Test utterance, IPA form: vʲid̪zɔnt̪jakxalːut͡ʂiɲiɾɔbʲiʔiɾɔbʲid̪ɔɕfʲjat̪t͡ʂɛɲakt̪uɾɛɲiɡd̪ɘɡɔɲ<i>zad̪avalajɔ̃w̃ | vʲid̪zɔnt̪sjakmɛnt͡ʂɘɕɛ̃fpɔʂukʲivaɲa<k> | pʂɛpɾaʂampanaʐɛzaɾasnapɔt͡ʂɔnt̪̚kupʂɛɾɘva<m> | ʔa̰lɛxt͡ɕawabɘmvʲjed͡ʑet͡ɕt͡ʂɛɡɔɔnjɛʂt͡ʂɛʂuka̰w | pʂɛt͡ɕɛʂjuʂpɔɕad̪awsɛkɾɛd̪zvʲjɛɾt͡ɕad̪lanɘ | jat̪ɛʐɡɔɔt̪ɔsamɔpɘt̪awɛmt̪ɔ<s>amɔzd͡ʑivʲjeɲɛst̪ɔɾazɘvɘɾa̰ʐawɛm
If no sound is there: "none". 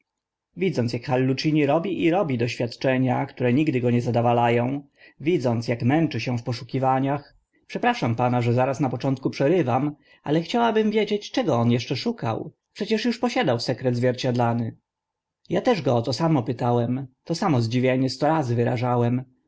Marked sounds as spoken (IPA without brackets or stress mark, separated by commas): ɛ, x, m, s